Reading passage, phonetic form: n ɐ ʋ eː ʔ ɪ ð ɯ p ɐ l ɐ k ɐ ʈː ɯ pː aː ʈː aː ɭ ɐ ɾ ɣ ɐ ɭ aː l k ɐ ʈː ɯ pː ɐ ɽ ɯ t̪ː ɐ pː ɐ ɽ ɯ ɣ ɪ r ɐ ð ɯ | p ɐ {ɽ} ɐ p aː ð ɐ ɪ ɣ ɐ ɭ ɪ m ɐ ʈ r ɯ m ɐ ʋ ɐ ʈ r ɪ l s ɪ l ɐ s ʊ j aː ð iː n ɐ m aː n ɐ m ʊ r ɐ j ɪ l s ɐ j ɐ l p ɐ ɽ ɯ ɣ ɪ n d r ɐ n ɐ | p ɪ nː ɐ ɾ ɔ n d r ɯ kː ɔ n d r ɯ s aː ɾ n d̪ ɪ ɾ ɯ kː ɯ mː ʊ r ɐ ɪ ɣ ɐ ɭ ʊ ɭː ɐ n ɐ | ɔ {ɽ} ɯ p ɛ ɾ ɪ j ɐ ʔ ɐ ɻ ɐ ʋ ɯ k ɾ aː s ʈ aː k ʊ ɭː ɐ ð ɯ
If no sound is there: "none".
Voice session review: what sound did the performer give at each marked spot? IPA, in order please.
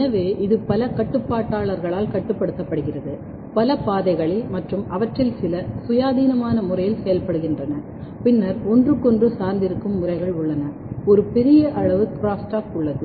l, ɾ

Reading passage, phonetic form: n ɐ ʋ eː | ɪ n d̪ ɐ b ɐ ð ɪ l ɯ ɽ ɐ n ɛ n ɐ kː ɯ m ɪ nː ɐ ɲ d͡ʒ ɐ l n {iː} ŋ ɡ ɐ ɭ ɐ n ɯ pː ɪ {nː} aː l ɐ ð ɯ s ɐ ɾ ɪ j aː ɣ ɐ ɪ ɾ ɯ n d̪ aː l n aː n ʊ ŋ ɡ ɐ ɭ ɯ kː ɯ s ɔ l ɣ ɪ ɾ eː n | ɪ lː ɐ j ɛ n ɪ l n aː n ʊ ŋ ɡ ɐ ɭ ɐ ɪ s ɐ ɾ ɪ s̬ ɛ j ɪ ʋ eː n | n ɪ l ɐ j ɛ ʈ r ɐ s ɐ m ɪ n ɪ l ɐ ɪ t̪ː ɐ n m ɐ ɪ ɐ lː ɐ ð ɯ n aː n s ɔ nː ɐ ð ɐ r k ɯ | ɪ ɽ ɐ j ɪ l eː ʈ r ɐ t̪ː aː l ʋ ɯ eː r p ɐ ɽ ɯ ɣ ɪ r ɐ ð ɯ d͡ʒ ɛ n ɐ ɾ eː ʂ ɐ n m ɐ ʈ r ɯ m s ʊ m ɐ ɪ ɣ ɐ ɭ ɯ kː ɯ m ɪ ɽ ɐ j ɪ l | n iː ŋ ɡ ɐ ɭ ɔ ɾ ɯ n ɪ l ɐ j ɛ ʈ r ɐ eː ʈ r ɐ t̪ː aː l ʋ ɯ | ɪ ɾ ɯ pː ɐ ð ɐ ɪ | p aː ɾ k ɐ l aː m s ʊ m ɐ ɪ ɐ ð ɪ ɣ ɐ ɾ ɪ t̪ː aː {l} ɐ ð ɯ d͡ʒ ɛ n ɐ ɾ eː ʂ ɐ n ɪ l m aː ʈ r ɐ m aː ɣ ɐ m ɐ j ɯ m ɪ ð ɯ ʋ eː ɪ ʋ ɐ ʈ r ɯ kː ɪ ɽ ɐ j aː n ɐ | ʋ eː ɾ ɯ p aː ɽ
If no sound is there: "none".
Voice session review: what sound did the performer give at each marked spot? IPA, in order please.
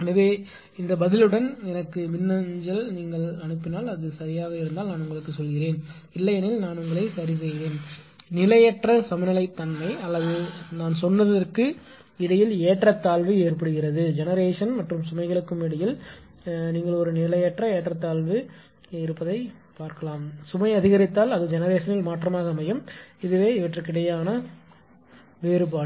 iː, n, l

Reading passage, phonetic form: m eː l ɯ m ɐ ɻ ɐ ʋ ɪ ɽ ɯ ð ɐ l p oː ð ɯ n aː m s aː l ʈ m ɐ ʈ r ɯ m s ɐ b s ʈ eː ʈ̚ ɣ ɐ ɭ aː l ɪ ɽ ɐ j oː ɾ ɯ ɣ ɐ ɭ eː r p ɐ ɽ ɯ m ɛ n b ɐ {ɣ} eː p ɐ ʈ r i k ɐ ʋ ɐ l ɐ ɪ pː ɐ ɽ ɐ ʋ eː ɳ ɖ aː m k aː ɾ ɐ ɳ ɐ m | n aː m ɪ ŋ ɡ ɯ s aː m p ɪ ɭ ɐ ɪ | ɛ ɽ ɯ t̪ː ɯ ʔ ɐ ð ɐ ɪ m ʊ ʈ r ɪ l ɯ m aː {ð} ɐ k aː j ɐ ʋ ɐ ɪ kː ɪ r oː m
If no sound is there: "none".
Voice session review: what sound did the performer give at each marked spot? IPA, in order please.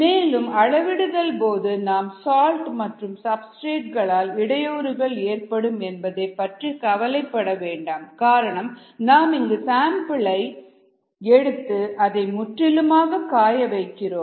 ð, ɣ

